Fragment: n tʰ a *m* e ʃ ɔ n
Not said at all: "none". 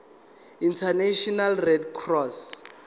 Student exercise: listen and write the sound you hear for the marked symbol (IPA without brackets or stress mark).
n